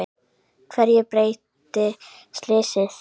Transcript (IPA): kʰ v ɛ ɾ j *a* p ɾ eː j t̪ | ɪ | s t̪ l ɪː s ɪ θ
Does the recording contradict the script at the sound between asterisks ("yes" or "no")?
yes